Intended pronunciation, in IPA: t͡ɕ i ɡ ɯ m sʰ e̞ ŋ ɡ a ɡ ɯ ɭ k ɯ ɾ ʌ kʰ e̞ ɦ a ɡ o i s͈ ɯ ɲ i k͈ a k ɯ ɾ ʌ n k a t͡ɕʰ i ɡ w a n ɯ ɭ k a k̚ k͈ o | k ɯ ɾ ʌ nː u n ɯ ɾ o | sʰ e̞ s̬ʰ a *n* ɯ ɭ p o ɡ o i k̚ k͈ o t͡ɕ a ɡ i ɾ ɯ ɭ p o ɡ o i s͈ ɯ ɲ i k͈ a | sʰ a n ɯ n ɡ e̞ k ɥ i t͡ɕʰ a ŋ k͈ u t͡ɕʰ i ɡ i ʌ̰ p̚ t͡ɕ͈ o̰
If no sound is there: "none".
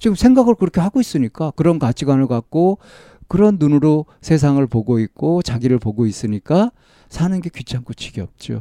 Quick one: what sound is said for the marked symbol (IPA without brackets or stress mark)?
ŋ